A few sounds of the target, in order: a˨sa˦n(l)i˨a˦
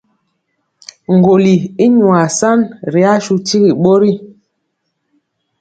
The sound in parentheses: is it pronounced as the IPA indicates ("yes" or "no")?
no